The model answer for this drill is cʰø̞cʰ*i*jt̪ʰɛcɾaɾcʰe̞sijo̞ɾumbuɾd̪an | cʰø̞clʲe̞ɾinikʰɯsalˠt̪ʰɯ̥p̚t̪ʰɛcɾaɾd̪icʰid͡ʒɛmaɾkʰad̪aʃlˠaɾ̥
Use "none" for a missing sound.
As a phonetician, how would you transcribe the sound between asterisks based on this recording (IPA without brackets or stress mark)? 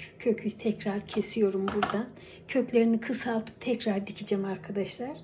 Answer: y